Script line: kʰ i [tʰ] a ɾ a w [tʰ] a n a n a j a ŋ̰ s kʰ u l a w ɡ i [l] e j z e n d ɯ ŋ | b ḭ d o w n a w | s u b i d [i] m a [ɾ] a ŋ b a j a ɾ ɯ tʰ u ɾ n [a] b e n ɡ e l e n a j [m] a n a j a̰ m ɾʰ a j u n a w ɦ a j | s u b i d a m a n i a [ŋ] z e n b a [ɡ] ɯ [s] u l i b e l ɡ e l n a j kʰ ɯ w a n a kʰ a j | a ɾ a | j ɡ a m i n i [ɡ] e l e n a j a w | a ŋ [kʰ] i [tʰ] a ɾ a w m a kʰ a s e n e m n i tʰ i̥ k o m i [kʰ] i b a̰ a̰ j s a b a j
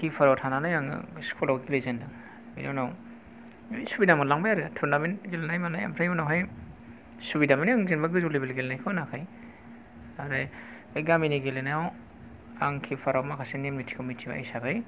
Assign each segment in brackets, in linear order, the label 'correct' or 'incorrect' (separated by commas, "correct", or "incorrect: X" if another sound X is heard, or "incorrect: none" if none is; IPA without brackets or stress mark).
incorrect: pʰ, correct, correct, incorrect: a, incorrect: l, correct, correct, correct, correct, incorrect: z, correct, correct, incorrect: pʰ, incorrect: tʰ